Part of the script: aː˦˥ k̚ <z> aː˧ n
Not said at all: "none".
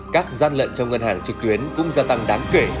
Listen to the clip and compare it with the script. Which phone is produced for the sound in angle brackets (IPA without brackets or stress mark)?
z